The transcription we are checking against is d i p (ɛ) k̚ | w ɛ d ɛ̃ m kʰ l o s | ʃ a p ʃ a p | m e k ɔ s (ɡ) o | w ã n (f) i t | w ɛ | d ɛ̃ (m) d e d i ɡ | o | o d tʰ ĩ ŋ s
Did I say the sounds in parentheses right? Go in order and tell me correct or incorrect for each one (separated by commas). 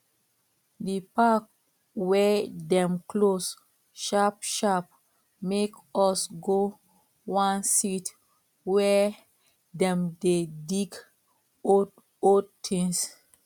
incorrect, correct, incorrect, correct